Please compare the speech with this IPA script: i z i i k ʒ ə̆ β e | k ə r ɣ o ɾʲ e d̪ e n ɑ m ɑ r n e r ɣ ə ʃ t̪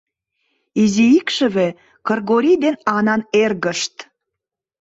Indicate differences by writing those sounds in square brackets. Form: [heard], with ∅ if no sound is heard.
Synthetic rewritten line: i z i i k [ʃ] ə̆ β e | k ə r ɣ o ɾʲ [i] d̪ e n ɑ [n] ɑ [∅] n e r ɣ ə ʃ t̪